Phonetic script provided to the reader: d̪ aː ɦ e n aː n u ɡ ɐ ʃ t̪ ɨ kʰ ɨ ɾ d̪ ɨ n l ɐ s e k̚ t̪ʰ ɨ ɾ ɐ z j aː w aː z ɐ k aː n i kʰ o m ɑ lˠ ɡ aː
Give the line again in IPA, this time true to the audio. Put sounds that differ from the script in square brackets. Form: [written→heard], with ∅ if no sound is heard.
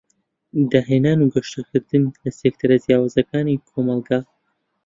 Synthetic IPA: d̪ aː ɦ e n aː n u ɡ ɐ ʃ t̪ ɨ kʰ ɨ ɾ d̪ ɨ n l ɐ s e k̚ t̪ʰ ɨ ɾ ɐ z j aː w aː z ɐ k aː n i kʰ o m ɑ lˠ ɡ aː